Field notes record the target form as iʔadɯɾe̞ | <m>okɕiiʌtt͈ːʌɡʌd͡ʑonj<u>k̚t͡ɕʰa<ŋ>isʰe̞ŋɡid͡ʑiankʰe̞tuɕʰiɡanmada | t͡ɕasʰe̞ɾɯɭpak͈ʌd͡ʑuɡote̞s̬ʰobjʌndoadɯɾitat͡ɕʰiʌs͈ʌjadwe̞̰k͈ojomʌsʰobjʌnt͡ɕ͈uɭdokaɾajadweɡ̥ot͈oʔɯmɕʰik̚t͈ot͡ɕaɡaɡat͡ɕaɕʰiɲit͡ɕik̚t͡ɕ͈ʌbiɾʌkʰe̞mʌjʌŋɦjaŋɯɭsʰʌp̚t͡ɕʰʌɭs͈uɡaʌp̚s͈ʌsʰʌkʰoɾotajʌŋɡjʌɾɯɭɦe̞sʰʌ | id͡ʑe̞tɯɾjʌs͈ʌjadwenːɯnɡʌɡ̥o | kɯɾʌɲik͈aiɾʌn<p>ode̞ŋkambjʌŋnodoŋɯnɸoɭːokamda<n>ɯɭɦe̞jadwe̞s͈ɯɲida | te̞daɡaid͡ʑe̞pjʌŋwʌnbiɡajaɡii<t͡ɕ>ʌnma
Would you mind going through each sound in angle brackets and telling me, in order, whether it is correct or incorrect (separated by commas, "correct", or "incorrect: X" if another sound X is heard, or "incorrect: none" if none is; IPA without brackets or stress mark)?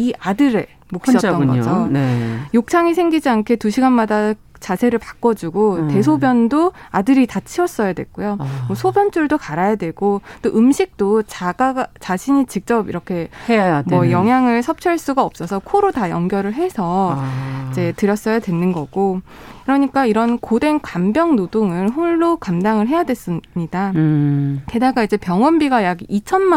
correct, incorrect: o, correct, incorrect: k, incorrect: ŋ, incorrect: t͡ɕʰ